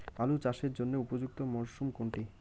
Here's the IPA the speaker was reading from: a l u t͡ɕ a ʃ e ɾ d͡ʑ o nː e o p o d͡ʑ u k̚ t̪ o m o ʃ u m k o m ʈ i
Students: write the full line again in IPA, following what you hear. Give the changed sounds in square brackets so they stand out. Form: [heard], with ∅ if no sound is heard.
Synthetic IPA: a l u t͡ɕ a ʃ e ɾ d͡ʑ o nː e [u] p o d͡ʑ u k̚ t̪ o m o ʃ u m k o [ɳ] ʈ i

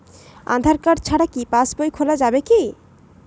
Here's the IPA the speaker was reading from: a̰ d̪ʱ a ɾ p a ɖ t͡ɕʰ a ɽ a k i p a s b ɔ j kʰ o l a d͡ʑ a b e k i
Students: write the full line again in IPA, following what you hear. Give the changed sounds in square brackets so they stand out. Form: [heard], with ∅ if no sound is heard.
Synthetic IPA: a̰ d̪ʱ a ɾ [k] a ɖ t͡ɕʰ a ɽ a k i p a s b [o] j kʰ o l a d͡ʑ a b e k i

